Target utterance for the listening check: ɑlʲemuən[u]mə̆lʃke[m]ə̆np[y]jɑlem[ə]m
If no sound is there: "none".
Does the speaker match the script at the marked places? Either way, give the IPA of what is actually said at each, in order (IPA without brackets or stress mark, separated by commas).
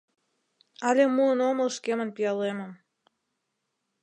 o, m, i, ə